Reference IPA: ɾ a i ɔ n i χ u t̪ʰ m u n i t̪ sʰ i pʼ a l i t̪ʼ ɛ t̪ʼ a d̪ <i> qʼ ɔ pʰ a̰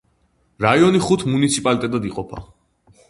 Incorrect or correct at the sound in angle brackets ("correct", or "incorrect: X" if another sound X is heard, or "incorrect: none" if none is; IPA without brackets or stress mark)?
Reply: correct